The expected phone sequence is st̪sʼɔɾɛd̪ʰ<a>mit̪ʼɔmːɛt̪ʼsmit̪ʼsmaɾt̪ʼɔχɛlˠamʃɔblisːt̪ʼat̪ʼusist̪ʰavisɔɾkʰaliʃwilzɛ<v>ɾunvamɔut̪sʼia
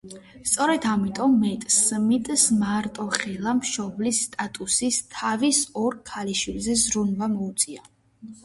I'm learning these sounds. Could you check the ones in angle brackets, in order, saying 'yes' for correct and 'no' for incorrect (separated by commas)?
yes, no